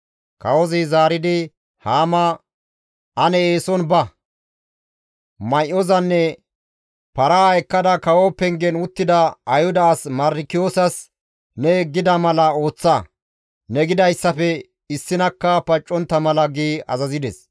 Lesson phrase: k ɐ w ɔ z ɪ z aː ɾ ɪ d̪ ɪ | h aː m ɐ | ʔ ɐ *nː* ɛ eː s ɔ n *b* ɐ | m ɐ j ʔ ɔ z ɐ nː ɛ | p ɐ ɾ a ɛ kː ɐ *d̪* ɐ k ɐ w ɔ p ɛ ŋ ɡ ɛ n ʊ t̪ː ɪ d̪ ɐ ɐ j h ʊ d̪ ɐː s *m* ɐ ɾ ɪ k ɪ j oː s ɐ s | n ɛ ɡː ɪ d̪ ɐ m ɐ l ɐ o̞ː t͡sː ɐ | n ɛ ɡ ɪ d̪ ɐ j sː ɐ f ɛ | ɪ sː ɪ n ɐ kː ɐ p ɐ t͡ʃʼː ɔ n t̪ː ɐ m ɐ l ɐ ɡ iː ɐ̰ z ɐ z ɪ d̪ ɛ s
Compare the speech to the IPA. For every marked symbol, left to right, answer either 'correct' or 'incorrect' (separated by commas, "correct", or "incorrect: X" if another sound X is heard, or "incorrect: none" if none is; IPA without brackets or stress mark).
incorrect: n, correct, correct, correct